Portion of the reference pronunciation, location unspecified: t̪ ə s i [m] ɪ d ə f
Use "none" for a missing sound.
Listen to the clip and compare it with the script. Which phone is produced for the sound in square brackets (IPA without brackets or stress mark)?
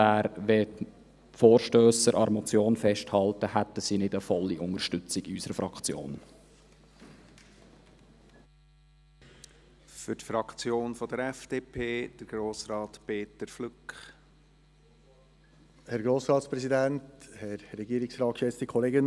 n